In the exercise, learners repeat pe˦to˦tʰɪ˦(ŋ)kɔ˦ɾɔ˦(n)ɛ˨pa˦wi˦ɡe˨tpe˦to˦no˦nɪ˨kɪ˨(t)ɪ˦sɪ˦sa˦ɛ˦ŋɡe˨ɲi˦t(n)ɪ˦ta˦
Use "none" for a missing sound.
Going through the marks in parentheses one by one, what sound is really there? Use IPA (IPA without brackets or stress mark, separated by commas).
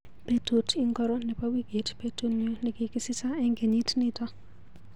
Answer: ŋ, n, k, n